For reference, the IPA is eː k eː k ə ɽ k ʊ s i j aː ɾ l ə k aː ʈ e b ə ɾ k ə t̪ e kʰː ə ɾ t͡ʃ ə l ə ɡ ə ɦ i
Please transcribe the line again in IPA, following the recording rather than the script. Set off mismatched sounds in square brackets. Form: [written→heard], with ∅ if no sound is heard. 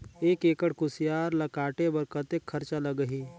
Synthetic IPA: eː k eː k ə ɽ k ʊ s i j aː ɾ l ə k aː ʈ e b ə ɾ k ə t̪ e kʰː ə ɾ t͡ʃ [ə→a] l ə ɡ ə ɦ i